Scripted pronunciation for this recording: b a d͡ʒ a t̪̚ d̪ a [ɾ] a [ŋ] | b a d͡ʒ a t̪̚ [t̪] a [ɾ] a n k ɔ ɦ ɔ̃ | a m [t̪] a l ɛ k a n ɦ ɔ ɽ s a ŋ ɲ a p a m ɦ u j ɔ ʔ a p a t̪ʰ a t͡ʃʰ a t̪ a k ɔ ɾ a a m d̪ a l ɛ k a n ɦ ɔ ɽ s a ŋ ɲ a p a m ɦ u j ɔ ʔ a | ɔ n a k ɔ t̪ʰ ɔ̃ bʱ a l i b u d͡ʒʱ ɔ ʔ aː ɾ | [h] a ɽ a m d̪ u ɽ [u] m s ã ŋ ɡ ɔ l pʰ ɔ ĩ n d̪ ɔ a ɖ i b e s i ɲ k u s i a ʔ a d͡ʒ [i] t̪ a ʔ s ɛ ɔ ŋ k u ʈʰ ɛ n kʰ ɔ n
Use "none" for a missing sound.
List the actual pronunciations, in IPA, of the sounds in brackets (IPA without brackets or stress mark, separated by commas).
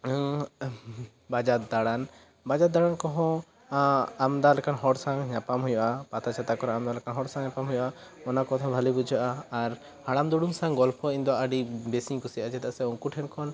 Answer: ɽ, n, d̪, ɽ, d̪, h, u, ɛ